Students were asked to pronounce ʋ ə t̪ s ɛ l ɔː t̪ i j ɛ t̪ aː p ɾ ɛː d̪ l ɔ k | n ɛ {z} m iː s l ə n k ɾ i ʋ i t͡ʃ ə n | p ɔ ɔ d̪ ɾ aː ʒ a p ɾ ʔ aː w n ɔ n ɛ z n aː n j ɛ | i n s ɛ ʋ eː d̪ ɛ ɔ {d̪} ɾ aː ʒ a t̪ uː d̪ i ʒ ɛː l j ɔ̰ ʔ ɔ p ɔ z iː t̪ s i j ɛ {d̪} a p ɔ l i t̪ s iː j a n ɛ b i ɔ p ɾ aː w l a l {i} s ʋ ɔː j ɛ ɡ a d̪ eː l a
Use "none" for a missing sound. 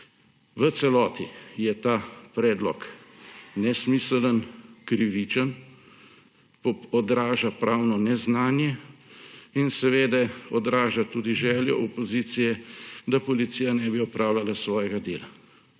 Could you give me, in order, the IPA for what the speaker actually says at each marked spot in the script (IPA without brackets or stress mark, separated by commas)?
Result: s, d̪, d̪, a